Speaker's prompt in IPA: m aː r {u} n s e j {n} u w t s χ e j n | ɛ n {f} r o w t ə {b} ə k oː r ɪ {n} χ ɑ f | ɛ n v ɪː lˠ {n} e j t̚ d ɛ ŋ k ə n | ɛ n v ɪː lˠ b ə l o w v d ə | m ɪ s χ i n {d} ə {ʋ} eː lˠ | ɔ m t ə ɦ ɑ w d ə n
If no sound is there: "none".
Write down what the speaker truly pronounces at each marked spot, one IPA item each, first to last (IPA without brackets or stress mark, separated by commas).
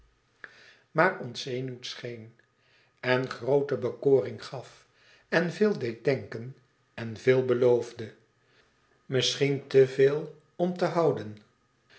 ɔ, n, χ, b, ŋ, d, t, v